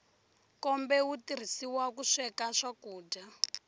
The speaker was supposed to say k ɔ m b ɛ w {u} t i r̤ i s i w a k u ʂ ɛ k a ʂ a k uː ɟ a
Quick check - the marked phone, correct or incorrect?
correct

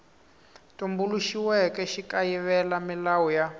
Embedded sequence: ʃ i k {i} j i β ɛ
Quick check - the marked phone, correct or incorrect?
incorrect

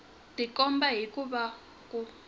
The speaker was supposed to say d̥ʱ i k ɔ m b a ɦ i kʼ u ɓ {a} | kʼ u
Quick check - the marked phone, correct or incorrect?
correct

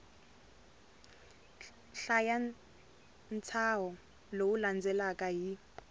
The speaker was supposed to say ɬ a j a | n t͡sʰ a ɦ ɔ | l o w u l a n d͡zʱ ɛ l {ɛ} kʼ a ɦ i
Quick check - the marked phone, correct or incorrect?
incorrect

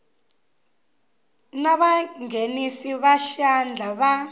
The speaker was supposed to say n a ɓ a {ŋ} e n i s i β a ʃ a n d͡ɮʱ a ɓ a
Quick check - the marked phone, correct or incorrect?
correct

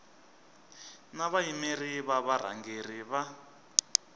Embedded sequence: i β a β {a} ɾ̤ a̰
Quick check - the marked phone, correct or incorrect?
correct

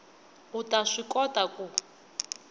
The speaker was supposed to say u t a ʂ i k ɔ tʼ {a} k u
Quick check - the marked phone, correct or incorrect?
correct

